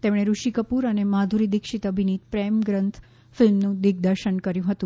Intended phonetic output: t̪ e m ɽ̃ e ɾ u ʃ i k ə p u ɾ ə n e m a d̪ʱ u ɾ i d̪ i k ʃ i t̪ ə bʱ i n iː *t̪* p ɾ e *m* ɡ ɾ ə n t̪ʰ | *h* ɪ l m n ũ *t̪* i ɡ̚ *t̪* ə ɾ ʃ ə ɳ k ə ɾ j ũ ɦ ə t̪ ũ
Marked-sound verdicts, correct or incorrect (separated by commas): correct, correct, incorrect, incorrect, incorrect